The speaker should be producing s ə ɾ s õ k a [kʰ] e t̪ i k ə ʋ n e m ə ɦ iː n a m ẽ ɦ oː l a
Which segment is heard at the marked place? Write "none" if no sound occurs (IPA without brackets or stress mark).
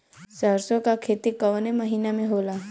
kʰ